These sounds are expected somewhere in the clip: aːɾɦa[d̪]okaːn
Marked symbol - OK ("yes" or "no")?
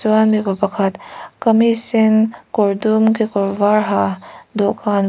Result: yes